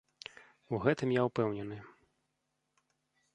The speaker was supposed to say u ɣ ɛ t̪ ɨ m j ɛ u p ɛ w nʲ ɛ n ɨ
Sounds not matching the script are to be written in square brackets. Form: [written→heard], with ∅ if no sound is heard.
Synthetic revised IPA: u ɣ ɛ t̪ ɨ m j [ɛ→a] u p ɛ w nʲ ɛ n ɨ